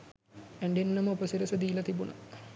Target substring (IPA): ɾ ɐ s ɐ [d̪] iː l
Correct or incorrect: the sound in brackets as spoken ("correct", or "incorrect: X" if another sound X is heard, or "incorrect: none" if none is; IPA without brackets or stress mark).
correct